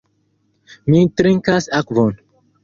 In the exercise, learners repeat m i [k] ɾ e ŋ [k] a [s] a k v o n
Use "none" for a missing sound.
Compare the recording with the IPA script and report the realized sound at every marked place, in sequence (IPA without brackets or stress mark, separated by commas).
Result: t, k, s